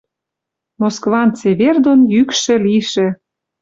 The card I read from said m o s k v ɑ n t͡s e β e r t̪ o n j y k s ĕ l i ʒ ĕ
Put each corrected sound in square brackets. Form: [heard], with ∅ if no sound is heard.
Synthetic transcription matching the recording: m o s k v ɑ n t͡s e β e r [d̪] o n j y k [ʃ] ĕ l i [ʃ] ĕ